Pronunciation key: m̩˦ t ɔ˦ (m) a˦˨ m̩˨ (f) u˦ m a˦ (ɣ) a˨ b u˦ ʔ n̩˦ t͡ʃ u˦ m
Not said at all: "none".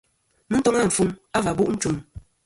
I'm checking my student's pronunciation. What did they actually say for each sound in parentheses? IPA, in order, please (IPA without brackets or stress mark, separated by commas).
ŋ, f, v